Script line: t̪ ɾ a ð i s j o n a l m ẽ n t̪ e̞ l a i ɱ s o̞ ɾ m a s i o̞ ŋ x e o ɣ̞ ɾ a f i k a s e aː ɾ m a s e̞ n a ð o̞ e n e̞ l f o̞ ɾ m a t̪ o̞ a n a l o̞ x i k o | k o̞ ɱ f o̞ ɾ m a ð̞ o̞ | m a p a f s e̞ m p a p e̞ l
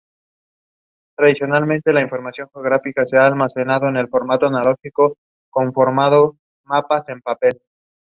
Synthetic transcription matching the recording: t̪ ɾ a ð i s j o n a l m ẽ n t̪ e̞ l a i ɱ f o̞ ɾ m a s j o̞ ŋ x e o ɣ̞ ɾ a f i k a s e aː l m a s e̞ n a ð o̞ e n e̞ l f o̞ ɾ m a t̪ o̞ a n a l o̞ x i k o | k o̞ ɱ f o̞ ɾ m a ð̞ o̞ | m a p a s e̞ m p a p e̞ l